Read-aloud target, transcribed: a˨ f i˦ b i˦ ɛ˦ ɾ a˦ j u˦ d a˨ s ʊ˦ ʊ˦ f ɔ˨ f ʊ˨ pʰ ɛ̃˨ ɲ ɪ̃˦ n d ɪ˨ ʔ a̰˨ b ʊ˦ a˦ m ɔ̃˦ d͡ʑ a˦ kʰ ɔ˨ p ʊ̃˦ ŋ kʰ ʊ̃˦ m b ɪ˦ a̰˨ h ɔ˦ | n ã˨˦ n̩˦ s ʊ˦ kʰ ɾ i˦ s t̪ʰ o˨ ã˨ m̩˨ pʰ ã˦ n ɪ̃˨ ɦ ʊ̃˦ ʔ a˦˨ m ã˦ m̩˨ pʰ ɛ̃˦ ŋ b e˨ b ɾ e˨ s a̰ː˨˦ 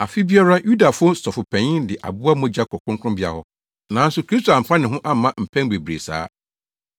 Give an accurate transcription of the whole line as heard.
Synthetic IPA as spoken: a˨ f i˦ b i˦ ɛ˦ ɾ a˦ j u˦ d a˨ f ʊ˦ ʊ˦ s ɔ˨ f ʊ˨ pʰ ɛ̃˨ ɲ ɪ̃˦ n d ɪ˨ ʔ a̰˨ b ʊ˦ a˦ m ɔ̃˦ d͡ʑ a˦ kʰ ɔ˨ k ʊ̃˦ ŋ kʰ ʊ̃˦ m b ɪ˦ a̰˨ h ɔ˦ | n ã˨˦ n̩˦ s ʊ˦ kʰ ɾ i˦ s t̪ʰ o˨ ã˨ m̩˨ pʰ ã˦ n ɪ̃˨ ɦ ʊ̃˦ ʔ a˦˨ m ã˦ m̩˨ pʰ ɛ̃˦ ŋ b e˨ b ɾ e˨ s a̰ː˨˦

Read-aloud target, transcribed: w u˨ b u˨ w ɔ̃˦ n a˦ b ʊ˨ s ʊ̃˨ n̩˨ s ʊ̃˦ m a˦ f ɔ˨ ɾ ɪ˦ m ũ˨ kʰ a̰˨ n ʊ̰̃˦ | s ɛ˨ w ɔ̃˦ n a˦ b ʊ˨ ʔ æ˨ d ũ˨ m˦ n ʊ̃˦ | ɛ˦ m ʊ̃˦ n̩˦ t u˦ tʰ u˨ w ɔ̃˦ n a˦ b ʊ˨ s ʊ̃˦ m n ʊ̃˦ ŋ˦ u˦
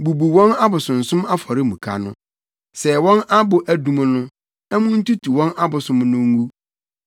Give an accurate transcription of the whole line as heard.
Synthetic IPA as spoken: b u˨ b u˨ w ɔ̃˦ n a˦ b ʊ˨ s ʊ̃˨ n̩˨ s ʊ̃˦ m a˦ f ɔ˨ ɾ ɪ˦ m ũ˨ kʰ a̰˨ n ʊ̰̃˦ | s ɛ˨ w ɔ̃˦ n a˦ b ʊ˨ ʔ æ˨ d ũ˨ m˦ n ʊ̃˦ | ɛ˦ m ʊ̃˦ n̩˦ t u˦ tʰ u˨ w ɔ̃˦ n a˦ b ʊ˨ s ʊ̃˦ m n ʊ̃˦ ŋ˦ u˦

